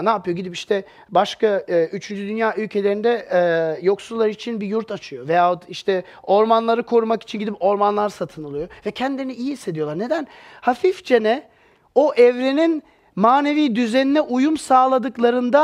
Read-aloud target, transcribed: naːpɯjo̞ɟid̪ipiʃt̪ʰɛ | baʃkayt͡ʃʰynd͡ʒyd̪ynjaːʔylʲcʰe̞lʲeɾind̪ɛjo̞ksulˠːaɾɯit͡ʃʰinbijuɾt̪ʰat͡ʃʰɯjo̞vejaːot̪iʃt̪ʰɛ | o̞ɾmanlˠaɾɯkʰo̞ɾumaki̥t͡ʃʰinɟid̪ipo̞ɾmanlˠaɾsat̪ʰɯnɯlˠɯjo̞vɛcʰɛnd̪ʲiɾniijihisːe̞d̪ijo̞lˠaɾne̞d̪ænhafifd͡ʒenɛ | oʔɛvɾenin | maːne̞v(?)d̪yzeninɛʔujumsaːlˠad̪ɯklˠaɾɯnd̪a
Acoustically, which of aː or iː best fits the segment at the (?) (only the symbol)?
iː